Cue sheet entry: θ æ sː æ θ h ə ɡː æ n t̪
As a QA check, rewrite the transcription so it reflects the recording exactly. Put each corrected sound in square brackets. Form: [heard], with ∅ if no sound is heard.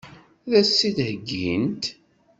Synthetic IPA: [ð] æ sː [i] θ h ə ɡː [i] n t̪